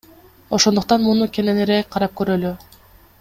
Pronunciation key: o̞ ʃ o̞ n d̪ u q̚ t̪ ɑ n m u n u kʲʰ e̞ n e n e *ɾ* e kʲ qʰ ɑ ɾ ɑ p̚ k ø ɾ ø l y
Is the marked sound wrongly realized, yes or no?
no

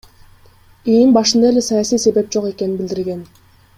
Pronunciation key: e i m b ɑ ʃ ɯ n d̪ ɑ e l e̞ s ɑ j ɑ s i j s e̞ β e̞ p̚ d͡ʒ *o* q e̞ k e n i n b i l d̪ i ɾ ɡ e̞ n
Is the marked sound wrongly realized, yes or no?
no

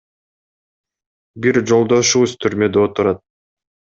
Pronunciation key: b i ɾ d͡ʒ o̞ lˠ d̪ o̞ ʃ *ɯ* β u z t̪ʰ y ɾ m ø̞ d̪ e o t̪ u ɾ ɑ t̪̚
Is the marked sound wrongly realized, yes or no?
yes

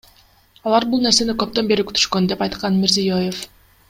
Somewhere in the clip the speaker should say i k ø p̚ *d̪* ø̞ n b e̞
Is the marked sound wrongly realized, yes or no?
yes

